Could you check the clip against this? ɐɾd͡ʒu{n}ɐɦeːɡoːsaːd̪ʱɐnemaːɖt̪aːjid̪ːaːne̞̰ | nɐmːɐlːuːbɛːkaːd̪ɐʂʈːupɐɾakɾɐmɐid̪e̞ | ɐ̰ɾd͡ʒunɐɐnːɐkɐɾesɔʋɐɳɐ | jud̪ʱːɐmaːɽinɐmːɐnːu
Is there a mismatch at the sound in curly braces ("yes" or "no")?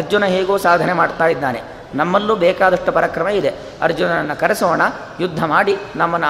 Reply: no